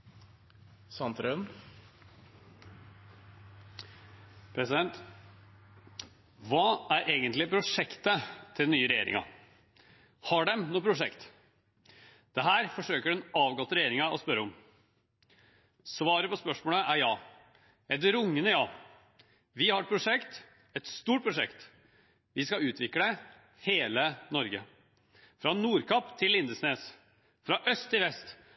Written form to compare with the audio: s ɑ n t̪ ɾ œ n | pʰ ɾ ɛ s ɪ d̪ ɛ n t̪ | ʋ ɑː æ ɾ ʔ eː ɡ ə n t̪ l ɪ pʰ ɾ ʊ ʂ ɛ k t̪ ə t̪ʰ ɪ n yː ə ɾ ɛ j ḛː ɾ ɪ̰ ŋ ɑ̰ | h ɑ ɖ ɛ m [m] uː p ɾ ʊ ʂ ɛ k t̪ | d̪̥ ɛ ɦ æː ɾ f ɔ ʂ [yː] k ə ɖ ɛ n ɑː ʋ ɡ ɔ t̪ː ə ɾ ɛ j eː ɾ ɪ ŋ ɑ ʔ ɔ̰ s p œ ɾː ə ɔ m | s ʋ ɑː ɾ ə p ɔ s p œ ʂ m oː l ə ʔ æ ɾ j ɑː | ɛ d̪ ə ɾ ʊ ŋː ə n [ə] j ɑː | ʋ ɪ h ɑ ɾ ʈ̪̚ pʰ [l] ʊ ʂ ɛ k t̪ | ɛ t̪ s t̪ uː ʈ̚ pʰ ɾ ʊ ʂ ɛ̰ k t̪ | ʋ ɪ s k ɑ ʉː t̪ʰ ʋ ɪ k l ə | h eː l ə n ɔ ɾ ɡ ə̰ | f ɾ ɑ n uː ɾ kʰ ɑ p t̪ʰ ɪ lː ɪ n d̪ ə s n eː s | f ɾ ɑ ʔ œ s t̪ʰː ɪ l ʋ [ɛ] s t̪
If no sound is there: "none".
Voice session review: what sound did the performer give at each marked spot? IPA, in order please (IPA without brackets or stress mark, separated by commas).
n, øː, ə, ɾ, ɛ